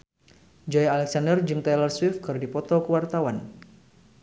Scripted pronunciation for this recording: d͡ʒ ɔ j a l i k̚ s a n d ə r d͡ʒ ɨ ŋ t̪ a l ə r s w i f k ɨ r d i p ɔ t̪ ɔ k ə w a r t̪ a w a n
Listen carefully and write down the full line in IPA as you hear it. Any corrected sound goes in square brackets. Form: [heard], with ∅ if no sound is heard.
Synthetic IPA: d͡ʒ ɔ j a l [ɛ] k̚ s a n d ə r d͡ʒ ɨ ŋ t̪ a l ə r s w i f k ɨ r d i p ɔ t̪ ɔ k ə w a r t̪ a w a n